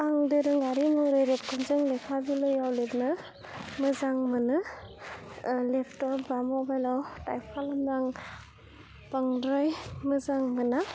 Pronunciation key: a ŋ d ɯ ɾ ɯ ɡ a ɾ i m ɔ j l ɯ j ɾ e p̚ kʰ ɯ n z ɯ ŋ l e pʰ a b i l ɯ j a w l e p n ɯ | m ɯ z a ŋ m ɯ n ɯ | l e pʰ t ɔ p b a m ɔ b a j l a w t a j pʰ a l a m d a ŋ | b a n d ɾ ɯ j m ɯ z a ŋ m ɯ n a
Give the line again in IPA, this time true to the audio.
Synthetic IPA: a ŋ d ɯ ɾ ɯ ŋ a ɾ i m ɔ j ɾ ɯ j ɾ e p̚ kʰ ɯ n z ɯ ŋ l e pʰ a b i l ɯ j a w l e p n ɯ | m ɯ z a ŋ m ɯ n ɯ | l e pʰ t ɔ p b a m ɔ b a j l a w t a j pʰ a l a m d a ŋ | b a ŋ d ɾ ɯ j m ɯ z a ŋ m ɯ n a